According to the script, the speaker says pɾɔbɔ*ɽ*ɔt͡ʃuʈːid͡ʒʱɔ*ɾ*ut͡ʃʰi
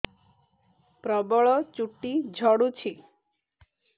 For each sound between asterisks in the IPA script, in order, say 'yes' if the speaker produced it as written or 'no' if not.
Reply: no, no

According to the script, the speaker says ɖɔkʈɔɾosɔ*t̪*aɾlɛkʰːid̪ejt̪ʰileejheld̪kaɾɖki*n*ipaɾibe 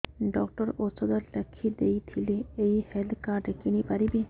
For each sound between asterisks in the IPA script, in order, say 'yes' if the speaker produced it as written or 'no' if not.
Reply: no, yes

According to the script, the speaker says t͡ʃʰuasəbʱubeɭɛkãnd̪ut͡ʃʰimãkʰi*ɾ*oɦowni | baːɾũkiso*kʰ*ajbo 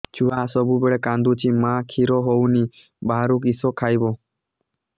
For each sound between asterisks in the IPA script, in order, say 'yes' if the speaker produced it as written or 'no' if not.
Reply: yes, yes

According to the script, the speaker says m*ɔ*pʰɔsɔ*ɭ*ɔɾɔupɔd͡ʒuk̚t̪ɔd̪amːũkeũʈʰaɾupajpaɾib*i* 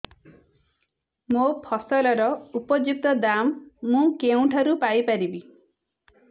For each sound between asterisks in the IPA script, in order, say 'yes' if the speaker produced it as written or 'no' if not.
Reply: no, no, yes

